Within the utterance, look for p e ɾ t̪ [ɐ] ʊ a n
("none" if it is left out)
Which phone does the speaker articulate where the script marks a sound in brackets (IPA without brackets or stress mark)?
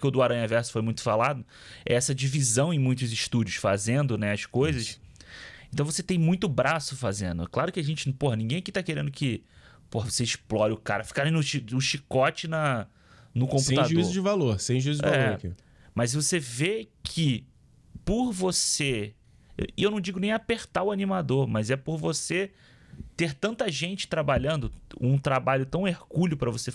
a